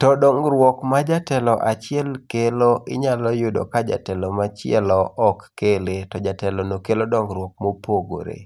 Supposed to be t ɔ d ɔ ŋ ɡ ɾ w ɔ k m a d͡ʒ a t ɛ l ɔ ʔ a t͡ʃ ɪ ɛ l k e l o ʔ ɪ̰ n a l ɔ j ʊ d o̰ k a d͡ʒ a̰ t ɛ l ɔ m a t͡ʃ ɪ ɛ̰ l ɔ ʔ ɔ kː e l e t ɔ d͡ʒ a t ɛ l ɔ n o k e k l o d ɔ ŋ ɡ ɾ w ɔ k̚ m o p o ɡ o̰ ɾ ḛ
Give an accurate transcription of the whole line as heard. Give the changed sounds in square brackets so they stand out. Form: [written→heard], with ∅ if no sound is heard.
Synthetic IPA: t ɔ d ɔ ŋ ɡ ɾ w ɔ k m a d͡ʒ a t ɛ l ɔ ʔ a t͡ʃ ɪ ɛ l k e l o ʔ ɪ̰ [n→ɲ] a l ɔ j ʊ d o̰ k a d͡ʒ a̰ t ɛ l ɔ m a t͡ʃ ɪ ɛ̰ l ɔ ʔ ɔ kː e l e t ɔ d͡ʒ a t ɛ l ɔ n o k e [k→∅] l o d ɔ ŋ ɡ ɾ w ɔ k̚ m o p o ɡ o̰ ɾ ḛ